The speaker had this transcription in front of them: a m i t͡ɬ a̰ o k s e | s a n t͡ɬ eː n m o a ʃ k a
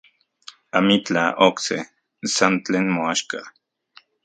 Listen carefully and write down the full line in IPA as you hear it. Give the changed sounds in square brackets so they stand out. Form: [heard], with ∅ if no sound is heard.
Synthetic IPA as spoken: a m i t͡ɬ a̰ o k s e | s a n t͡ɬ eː n m o a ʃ k a